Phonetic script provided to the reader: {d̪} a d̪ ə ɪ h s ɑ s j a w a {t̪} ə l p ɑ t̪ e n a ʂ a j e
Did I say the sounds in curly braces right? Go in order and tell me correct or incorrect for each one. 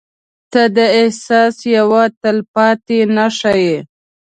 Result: incorrect, correct

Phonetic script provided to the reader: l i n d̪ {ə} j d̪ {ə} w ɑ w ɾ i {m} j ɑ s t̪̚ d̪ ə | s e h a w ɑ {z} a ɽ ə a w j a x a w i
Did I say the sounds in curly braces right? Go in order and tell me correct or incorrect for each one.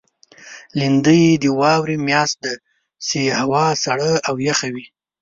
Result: correct, correct, correct, incorrect

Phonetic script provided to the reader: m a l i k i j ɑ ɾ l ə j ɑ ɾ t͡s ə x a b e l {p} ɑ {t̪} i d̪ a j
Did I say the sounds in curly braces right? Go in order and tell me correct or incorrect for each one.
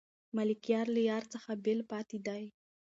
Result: correct, correct

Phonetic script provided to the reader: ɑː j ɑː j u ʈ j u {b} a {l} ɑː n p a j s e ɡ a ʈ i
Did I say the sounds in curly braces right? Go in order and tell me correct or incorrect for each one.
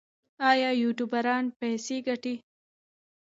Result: correct, incorrect

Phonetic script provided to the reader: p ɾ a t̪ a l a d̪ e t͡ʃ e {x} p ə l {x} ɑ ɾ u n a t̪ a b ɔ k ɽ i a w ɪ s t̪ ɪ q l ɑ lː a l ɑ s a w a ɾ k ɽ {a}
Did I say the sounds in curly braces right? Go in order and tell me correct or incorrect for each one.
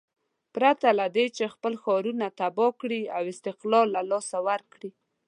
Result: correct, correct, incorrect

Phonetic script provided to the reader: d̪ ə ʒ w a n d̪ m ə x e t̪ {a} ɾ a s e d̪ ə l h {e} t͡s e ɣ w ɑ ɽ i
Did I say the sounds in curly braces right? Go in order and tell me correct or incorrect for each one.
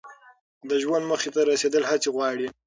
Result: correct, incorrect

